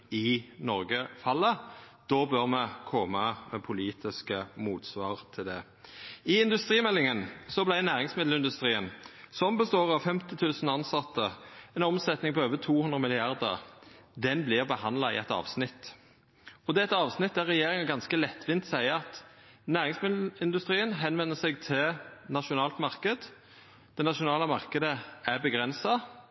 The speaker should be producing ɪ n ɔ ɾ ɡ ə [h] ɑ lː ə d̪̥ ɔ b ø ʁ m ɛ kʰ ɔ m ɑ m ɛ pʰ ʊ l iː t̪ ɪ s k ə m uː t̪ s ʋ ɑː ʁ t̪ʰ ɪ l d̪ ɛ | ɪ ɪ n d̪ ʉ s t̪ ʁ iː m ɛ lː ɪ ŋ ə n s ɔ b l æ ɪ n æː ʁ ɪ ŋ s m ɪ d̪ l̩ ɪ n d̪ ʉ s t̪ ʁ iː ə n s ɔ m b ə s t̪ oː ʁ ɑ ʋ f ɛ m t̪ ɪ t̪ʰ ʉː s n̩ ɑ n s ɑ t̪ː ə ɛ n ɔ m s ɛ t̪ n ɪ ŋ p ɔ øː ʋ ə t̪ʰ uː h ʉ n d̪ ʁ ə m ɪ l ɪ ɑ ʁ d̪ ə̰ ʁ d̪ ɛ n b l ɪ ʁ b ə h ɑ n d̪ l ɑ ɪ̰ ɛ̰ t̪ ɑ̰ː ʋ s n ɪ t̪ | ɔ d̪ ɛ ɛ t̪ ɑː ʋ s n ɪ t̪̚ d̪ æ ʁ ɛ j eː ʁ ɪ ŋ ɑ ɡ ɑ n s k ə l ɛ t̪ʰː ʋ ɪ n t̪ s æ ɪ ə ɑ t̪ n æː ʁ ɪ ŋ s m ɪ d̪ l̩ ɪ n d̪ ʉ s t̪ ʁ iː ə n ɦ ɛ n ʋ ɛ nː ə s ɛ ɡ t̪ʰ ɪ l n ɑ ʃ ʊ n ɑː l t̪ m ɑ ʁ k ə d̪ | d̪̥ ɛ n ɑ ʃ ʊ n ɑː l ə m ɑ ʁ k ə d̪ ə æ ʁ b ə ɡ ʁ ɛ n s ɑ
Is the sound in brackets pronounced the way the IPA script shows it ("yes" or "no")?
no